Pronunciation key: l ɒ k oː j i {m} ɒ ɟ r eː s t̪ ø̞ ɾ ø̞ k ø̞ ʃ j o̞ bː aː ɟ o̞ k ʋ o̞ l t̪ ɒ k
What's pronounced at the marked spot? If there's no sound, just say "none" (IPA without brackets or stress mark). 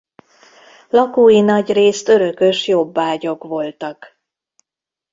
n